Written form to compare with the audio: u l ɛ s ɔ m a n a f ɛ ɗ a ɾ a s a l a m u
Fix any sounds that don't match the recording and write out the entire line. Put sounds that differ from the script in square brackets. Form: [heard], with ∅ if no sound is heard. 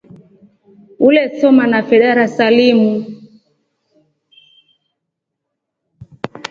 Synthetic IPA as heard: u l ɛ s ɔ m a n a f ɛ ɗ a ɾ a s a l [i] m u